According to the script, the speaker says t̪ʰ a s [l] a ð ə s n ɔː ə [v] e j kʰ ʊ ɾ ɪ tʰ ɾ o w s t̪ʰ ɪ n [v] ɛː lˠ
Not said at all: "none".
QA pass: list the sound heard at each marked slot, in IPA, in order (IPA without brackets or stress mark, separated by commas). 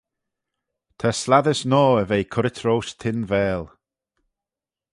l, v, v